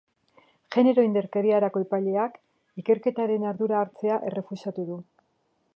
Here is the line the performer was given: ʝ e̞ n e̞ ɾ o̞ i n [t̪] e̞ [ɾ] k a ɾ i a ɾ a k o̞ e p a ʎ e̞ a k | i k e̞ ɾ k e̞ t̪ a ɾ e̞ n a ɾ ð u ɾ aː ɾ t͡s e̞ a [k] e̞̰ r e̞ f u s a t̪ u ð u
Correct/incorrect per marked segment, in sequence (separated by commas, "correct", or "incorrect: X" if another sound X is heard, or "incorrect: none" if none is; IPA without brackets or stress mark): incorrect: d̪, correct, incorrect: ʔ